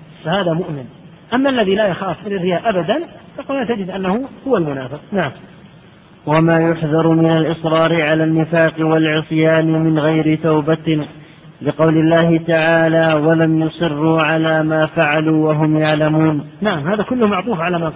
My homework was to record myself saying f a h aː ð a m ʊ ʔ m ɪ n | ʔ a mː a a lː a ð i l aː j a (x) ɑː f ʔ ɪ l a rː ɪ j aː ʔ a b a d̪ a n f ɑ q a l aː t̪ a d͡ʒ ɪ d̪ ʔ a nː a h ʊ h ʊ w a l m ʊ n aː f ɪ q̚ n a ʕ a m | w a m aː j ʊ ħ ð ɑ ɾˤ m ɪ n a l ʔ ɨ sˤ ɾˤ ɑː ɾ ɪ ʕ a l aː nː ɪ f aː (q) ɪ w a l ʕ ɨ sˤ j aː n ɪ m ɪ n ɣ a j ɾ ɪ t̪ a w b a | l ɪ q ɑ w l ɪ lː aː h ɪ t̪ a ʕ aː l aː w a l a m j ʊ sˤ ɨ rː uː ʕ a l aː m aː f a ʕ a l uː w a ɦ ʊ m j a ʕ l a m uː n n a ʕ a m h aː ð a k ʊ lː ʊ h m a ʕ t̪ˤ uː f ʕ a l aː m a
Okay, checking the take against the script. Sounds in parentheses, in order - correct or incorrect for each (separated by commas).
correct, correct